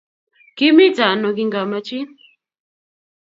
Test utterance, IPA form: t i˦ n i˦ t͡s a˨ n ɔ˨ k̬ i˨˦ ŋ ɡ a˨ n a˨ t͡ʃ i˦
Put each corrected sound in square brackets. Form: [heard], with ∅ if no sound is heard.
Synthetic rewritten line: [k] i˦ [m] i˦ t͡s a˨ n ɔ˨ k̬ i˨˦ ŋ ɡ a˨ [m] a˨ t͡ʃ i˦